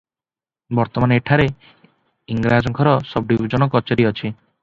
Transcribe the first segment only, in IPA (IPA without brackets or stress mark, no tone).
b